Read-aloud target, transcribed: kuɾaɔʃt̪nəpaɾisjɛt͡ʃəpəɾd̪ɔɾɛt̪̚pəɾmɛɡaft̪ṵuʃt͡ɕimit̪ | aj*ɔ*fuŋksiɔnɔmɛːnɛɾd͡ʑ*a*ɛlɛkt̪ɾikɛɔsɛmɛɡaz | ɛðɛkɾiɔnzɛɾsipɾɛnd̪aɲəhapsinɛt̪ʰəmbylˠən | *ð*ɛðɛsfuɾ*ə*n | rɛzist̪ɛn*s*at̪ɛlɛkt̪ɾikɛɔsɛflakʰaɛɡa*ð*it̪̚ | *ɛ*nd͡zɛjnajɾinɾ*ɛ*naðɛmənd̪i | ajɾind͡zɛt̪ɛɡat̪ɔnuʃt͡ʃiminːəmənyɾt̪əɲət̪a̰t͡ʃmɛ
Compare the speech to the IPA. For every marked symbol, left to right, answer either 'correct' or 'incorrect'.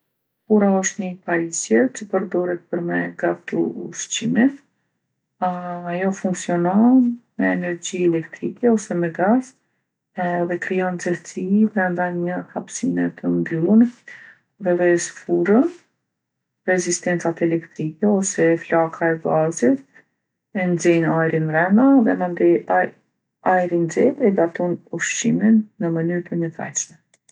correct, incorrect: i, correct, correct, incorrect: t͡s, incorrect: z, correct, correct

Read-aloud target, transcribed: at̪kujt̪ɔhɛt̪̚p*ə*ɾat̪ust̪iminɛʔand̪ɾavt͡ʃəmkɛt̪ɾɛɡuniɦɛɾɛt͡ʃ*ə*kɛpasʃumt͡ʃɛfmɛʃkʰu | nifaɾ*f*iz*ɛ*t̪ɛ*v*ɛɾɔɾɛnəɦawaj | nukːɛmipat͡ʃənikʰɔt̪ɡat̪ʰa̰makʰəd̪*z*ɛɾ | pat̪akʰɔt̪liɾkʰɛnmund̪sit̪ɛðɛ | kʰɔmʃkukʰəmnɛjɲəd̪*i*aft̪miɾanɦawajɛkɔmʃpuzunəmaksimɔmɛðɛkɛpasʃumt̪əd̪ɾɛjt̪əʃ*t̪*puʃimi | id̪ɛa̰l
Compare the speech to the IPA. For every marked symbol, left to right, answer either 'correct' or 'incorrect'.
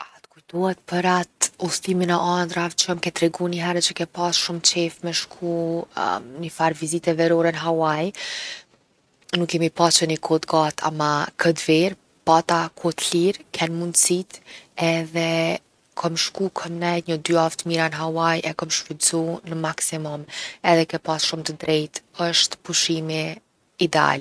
correct, correct, incorrect: v, incorrect: i, correct, incorrect: v, incorrect: y, correct

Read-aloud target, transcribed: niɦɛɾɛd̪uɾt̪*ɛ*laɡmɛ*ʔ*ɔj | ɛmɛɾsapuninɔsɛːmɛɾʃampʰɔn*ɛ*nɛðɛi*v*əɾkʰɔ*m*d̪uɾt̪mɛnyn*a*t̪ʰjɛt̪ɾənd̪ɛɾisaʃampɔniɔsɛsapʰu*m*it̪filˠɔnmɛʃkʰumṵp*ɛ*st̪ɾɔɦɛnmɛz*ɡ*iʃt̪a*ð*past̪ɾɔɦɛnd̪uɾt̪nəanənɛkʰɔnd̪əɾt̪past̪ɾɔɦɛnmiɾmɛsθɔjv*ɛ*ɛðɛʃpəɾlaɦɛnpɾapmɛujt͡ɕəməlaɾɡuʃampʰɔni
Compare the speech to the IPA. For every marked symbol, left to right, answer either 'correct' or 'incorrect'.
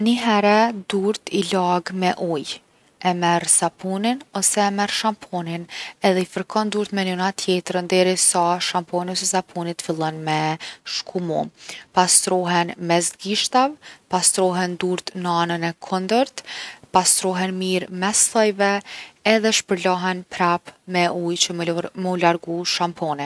incorrect: i, correct, incorrect: i, incorrect: f, incorrect: n, correct, incorrect: n, incorrect: a, correct, incorrect: v, correct

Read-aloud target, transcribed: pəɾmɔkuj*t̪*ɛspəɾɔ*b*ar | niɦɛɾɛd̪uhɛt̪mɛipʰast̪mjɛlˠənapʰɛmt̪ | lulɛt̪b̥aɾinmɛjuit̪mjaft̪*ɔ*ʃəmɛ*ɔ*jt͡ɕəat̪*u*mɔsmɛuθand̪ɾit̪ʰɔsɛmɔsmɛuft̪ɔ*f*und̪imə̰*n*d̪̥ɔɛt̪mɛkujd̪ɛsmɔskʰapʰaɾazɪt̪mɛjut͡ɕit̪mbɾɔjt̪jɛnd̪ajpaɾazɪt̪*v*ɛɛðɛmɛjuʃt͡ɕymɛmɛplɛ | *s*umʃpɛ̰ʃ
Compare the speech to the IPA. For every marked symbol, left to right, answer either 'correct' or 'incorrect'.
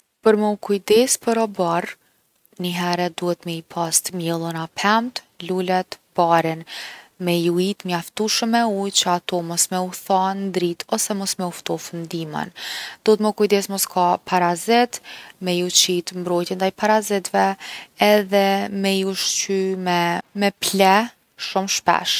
incorrect: d̪, correct, incorrect: u, incorrect: u, incorrect: ɔ, correct, correct, correct, incorrect: ʃ

